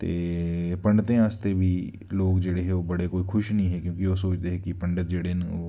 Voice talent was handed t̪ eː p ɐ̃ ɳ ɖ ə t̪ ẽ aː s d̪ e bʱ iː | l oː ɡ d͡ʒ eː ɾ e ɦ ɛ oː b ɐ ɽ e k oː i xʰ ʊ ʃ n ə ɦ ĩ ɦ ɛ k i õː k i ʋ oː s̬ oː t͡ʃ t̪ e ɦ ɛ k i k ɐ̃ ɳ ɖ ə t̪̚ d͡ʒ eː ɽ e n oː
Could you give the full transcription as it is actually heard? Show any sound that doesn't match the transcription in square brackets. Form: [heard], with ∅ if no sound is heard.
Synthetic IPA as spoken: t̪ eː p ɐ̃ ɳ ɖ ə t̪ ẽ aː s [t̪] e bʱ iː | l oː ɡ d͡ʒ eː [ɽ] e ɦ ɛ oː b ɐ ɽ e k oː i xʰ ʊ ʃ n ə ɦ ĩ ɦ ɛ k [j] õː k i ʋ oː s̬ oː t͡ʃ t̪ e ɦ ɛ k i [p] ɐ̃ ɳ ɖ ə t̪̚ d͡ʒ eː ɽ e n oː